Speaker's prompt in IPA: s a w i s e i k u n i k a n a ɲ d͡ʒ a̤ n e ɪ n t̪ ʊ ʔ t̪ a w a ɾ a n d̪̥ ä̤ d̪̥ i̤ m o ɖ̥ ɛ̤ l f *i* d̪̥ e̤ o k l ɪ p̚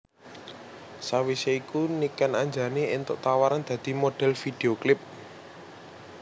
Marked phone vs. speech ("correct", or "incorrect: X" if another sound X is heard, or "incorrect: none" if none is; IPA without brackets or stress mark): correct